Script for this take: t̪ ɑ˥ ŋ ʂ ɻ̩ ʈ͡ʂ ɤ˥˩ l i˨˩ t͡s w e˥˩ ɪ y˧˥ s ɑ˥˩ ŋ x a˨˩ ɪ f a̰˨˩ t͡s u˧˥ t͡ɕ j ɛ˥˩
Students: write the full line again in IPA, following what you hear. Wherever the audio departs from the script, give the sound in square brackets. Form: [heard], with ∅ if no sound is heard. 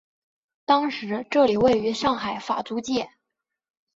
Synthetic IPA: t̪ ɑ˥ ŋ ʂ ɻ̩ ʈ͡ʂ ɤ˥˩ l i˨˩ [∅] w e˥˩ ɪ y˧˥ [ʂ] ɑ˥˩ ŋ x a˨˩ ɪ f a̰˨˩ t͡s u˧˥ t͡ɕ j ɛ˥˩